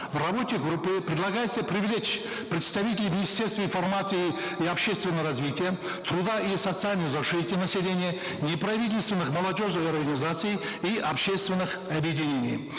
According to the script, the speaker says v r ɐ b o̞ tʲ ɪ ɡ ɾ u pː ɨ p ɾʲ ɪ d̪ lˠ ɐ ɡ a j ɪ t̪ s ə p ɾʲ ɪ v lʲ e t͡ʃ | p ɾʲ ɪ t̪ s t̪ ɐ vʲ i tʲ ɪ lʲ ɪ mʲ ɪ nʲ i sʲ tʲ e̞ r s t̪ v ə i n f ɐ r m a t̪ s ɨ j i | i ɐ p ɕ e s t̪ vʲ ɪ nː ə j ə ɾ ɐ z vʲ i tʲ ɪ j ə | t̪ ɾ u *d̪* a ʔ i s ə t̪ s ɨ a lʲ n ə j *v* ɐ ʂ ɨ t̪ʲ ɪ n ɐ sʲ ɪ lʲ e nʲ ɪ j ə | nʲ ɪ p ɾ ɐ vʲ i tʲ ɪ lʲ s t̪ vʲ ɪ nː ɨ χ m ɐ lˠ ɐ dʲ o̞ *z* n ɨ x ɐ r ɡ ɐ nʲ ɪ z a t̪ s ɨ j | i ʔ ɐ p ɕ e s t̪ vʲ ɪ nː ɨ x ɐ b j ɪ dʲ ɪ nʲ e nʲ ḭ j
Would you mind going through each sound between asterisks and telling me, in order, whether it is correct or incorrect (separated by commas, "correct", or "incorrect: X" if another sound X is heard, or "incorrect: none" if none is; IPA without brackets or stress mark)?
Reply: correct, incorrect: z, incorrect: ʐ